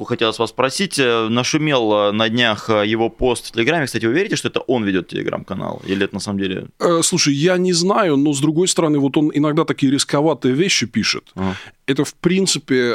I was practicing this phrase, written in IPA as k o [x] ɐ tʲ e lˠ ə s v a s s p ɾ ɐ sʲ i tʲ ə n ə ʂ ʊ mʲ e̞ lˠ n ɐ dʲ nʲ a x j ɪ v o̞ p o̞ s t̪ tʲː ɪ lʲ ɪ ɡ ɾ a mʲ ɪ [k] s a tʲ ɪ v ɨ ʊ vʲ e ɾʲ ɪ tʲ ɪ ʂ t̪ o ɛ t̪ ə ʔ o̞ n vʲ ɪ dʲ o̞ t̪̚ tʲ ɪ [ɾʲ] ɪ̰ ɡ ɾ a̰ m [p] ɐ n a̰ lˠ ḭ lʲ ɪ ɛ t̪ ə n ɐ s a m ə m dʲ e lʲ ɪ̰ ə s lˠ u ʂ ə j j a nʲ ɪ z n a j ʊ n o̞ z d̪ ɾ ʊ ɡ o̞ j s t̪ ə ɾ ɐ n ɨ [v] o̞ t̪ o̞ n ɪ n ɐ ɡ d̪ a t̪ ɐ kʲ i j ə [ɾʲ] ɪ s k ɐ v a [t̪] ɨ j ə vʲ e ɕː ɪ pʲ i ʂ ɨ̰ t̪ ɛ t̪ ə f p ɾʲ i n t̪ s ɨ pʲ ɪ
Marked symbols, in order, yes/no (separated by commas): yes, yes, no, no, yes, yes, yes